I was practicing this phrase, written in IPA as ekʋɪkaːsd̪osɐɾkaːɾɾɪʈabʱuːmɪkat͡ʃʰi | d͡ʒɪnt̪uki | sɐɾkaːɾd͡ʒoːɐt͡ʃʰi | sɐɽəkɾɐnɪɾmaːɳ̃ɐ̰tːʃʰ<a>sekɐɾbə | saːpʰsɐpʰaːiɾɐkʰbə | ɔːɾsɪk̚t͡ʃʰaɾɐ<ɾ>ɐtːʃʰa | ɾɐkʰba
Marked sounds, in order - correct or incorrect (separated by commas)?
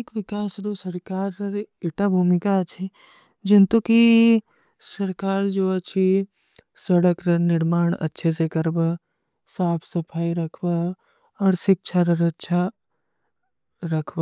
incorrect, correct